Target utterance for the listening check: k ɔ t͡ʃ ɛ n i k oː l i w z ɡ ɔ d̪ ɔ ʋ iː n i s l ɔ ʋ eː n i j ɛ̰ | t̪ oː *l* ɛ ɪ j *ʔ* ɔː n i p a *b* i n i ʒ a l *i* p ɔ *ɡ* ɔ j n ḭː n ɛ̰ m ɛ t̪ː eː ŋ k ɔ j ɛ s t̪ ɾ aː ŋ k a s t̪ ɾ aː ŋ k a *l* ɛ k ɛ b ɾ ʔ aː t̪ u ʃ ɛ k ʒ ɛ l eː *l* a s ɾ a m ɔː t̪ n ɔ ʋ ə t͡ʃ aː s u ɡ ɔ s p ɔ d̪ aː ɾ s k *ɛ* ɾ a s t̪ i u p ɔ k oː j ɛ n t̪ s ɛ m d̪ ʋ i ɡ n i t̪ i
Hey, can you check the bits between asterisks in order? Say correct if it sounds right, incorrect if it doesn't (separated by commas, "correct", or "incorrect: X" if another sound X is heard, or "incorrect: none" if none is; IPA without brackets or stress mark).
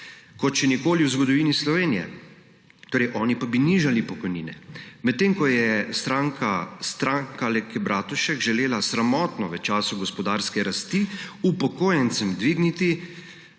incorrect: ɾ, correct, correct, correct, incorrect: k, correct, correct, correct